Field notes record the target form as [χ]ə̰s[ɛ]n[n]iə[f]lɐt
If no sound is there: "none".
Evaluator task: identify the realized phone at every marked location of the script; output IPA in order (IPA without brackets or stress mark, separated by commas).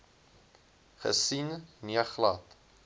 χ, i, n, χ